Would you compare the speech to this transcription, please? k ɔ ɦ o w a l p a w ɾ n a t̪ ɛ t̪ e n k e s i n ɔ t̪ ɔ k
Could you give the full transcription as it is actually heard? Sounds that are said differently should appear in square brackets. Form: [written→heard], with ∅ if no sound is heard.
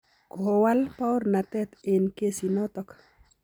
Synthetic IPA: k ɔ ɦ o w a l p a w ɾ n a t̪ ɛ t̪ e n k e s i n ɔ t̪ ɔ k